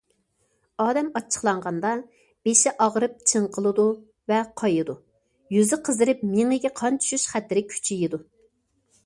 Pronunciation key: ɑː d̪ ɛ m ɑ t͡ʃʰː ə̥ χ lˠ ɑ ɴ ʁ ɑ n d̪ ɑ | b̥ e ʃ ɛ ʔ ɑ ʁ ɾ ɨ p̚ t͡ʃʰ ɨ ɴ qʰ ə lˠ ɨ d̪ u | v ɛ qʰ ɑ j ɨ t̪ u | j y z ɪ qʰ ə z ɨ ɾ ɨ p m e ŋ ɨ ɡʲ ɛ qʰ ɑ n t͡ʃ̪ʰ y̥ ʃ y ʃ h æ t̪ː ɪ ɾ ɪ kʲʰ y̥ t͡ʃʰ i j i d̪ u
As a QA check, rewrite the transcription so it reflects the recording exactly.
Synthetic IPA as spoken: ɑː d̪ ɛ m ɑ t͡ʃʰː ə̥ χ lˠ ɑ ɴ ʁ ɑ n d̪ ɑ | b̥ e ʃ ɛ ʔ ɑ ʁ ɾ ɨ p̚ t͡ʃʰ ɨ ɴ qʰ ə lˠ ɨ d̪ u | v ɛ qʰ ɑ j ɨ d̪ u | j y z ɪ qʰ ə z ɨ ɾ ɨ p m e ŋ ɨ ɡʲ ɛ qʰ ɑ n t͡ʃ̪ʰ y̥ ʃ y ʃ χ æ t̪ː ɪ ɾ ɪ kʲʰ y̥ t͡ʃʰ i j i d̪ u